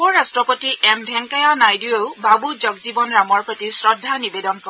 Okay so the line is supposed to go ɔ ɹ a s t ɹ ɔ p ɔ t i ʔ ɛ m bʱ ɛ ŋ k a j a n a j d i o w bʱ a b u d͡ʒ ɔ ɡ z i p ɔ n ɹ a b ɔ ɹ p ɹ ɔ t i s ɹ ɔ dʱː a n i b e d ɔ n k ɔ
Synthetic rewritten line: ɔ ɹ a s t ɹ ɔ p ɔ t i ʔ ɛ m bʱ ɛ ŋ k a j a n a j d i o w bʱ a b u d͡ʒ ɔ ɡ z i b ɔ n ɹ a m ɔ ɹ p ɹ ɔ t i s ɹ ɔ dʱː a n i b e d ɔ n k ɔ